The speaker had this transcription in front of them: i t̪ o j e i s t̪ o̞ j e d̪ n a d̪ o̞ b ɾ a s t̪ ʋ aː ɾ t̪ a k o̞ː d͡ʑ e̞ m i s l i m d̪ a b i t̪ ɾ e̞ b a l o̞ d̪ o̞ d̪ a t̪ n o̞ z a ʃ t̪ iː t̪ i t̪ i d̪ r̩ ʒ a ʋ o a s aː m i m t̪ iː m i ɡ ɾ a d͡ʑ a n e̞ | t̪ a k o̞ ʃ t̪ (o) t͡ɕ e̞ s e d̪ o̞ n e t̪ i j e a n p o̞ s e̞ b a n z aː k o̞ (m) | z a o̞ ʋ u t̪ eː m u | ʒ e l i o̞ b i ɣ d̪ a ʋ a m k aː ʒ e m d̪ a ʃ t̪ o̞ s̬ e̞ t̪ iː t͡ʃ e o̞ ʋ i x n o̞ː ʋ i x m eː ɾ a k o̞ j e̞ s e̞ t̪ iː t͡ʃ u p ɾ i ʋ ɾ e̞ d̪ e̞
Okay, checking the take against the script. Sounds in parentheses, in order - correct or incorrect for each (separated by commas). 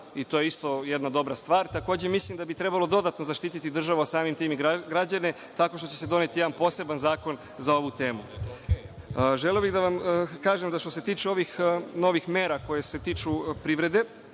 correct, incorrect